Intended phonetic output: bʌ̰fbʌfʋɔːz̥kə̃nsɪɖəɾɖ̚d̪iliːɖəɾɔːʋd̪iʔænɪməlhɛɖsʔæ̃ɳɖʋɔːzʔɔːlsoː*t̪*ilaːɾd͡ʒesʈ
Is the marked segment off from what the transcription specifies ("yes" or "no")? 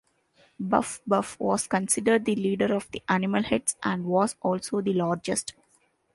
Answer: yes